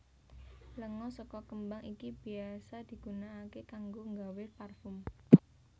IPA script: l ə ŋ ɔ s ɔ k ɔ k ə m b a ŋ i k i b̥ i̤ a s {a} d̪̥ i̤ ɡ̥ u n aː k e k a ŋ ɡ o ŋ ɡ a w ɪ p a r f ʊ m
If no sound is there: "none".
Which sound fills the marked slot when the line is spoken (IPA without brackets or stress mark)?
a